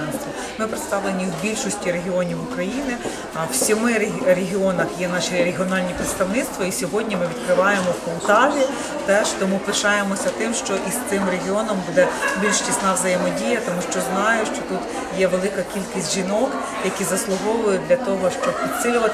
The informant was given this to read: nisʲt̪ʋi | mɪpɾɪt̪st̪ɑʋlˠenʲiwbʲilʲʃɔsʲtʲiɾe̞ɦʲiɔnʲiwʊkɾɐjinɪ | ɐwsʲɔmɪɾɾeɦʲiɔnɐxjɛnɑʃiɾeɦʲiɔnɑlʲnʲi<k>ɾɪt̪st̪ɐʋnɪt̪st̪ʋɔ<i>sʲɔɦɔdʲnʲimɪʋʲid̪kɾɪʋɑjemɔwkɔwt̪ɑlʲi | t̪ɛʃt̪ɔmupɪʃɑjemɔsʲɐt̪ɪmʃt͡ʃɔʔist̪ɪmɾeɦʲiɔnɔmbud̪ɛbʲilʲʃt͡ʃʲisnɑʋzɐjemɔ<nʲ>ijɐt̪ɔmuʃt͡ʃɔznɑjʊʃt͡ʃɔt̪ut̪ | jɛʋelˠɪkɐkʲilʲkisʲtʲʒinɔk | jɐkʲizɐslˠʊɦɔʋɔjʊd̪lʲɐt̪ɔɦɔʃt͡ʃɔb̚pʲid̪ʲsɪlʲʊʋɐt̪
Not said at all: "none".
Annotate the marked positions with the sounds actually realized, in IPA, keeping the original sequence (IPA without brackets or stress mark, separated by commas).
p, i, dʲ